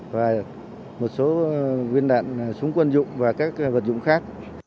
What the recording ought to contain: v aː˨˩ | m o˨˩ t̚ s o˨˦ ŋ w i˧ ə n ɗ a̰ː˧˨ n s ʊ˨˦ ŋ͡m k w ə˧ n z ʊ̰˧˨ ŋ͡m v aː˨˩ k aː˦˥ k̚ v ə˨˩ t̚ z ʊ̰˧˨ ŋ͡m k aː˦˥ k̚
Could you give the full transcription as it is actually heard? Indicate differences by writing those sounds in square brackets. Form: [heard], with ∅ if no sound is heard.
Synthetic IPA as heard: v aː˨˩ | m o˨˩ t̚ s o˨˦ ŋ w i˧ ə n ɗ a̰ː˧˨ n s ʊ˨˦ ŋ͡m k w ə˧ n z ʊ̰˧˨ ŋ͡m v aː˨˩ k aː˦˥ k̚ v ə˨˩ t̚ z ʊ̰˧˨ ŋ͡m [x] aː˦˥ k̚